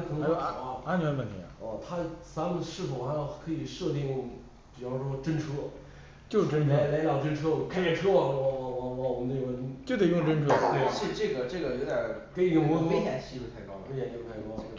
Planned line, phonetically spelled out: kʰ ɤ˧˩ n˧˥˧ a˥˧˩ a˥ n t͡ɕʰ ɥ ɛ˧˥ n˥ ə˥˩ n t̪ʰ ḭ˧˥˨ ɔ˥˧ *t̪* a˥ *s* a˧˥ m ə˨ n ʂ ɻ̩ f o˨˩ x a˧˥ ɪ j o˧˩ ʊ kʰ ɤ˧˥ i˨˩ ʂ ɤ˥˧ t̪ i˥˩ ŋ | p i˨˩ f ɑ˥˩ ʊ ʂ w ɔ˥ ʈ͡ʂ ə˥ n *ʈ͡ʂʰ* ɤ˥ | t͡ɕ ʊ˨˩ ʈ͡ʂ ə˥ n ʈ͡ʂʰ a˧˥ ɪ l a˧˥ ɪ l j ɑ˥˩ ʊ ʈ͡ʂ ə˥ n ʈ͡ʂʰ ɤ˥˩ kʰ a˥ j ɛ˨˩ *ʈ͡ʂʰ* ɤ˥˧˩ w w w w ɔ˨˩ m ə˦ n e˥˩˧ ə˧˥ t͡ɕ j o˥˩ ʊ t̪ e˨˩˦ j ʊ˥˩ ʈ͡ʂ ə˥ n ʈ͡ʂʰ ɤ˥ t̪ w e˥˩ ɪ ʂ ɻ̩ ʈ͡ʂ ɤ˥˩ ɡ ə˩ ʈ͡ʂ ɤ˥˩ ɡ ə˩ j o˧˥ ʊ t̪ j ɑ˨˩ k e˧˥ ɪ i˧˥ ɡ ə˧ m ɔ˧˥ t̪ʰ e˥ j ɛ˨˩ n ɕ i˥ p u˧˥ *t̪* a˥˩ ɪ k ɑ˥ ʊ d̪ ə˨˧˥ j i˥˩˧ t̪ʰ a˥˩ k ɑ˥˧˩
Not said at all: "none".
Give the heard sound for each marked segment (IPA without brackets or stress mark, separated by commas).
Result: t̪ʰ, t͡s, ʈ͡ʂʰ, ʈ͡ʂʰ, t̪ʰ